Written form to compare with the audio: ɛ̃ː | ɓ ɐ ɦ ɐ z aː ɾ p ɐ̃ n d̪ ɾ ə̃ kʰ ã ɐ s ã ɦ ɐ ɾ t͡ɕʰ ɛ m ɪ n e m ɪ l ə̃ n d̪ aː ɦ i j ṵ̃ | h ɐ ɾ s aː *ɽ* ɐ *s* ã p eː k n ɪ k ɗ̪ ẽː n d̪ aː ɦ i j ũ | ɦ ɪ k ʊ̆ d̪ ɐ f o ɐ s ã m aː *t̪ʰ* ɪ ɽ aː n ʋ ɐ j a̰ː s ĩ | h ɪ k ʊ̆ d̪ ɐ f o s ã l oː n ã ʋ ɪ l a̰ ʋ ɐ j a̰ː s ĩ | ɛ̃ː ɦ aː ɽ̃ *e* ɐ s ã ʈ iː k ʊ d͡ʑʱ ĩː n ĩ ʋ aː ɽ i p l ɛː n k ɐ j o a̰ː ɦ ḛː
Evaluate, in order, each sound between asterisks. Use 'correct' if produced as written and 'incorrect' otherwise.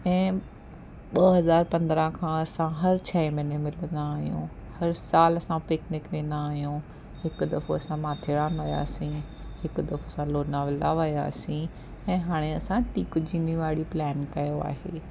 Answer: incorrect, correct, correct, correct

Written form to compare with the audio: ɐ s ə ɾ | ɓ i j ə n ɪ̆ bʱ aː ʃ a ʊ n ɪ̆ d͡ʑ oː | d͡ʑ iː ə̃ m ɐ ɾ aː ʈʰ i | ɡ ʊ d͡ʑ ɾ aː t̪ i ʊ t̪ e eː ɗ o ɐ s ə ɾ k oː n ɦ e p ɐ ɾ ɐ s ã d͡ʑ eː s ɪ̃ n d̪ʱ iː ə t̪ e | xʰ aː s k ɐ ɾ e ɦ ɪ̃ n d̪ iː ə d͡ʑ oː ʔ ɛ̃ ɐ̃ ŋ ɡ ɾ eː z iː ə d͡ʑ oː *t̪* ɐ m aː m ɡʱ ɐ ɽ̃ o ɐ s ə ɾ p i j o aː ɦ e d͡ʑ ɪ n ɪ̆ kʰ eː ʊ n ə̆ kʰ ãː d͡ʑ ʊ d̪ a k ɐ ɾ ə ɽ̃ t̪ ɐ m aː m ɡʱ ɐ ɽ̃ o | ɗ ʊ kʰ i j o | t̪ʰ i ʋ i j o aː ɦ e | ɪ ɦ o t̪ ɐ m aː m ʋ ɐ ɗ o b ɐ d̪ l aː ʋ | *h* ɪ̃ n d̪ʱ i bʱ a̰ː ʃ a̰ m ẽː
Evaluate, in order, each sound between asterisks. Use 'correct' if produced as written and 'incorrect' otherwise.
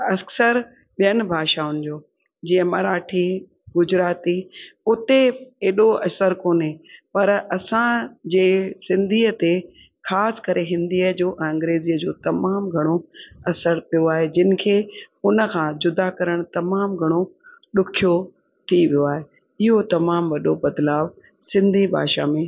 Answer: correct, incorrect

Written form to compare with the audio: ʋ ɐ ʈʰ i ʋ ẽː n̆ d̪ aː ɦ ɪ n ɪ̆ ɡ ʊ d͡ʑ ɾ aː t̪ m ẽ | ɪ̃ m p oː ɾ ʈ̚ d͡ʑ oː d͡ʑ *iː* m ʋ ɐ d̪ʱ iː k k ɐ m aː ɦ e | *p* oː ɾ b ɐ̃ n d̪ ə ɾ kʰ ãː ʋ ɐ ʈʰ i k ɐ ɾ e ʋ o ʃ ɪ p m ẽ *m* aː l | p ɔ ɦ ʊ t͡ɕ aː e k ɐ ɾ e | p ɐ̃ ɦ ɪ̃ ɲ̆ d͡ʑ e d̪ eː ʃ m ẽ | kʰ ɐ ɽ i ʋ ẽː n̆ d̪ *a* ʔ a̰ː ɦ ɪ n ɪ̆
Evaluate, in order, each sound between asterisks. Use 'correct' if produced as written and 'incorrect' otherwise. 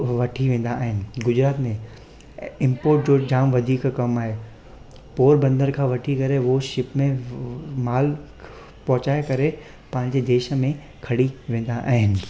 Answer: incorrect, correct, correct, correct

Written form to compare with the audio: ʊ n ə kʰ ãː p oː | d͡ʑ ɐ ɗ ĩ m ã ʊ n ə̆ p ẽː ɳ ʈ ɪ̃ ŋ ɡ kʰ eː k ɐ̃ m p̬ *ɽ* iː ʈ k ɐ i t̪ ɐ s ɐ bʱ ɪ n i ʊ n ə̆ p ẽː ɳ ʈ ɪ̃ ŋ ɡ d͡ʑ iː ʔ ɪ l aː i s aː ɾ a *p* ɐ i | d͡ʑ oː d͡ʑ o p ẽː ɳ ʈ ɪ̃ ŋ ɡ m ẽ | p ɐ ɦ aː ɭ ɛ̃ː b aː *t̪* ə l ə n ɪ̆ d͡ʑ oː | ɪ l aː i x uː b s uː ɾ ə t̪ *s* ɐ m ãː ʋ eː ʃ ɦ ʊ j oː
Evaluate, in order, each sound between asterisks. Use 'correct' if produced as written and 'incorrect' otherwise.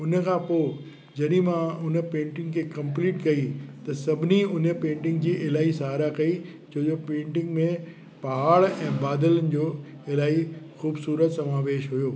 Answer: incorrect, incorrect, incorrect, correct

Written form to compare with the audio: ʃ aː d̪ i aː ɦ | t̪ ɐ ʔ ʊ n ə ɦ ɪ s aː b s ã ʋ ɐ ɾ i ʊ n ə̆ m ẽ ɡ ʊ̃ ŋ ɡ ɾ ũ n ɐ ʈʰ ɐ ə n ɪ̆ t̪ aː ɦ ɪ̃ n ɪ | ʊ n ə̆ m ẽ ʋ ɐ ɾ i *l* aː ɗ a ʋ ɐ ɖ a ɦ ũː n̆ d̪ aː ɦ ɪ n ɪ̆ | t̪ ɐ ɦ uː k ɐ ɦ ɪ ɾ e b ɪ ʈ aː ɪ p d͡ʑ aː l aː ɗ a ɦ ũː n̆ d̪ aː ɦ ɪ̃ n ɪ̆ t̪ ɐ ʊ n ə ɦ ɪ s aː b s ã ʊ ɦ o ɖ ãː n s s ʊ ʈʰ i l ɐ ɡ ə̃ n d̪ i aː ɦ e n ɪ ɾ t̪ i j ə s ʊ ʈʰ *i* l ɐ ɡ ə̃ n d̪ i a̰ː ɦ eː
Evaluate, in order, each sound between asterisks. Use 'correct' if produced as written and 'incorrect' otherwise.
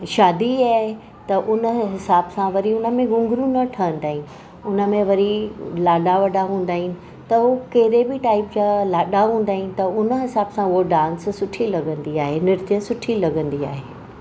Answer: correct, correct

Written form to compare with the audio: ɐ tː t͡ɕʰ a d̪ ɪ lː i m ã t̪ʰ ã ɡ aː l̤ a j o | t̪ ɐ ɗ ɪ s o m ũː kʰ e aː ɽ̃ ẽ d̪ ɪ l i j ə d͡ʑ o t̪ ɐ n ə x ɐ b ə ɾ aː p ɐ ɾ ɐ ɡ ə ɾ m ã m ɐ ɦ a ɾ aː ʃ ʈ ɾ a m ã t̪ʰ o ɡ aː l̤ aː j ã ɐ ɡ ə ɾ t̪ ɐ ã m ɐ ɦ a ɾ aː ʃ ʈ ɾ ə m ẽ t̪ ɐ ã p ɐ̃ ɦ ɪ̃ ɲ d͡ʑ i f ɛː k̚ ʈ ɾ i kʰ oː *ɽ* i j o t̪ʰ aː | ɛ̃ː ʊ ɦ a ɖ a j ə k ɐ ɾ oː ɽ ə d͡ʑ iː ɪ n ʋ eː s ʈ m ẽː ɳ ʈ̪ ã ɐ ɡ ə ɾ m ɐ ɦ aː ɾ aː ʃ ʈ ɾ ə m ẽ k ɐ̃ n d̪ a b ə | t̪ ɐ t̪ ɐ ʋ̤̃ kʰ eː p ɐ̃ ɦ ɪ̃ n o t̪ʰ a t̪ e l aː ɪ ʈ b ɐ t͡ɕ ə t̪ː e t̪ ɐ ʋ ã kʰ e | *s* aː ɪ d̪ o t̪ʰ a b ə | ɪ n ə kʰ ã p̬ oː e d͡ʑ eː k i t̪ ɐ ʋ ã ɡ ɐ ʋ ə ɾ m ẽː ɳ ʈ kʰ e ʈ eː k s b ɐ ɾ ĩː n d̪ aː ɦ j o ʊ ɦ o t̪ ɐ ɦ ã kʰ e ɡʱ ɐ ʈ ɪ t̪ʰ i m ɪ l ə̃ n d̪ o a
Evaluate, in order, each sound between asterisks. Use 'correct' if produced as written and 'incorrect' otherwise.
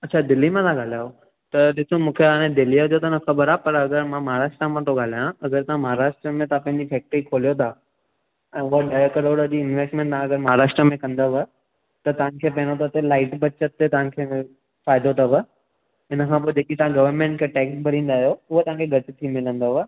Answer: incorrect, incorrect

